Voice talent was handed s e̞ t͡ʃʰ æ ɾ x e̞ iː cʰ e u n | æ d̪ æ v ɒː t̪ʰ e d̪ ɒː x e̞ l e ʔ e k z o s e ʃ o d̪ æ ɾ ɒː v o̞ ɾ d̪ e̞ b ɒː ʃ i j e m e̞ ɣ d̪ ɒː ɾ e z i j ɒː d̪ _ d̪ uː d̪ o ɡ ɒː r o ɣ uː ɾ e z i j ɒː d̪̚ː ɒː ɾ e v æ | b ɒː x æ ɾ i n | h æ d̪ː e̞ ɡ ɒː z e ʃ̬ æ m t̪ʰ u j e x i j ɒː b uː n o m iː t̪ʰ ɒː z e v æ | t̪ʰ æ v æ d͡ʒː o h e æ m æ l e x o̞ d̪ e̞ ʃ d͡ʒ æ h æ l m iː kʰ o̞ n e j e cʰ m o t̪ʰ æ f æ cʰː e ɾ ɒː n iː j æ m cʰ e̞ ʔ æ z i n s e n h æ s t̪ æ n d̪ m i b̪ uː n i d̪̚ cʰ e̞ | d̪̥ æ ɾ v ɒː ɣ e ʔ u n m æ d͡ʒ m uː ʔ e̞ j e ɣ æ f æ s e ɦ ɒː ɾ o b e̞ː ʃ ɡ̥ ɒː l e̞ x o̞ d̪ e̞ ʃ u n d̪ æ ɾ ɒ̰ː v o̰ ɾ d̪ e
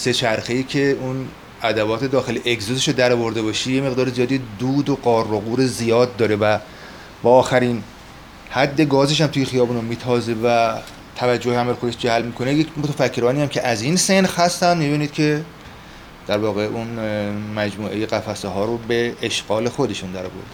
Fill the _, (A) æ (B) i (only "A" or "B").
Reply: B